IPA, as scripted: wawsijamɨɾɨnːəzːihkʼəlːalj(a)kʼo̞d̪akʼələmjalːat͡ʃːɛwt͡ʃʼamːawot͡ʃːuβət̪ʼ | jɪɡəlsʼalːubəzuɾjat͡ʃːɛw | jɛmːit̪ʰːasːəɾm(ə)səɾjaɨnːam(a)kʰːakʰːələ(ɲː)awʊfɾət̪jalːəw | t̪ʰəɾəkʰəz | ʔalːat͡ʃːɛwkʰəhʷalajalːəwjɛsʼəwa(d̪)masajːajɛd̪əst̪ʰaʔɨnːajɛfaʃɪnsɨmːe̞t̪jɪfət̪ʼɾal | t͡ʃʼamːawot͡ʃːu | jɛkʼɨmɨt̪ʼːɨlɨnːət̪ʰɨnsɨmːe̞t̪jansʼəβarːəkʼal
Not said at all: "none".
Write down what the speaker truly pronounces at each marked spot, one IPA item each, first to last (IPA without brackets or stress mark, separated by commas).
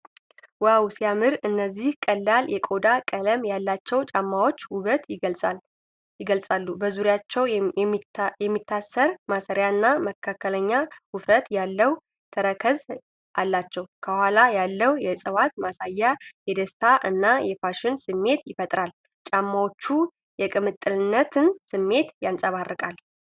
ɛ, a, ə, ɲː, t̪